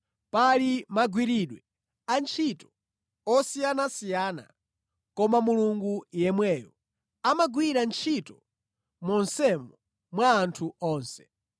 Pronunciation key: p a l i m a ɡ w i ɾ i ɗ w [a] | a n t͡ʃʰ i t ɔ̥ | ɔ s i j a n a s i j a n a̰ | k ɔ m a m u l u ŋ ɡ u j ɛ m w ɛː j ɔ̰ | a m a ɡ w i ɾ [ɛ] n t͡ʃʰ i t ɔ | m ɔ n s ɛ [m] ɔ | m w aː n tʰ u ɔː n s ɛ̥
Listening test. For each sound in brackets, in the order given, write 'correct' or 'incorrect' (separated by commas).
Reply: incorrect, incorrect, correct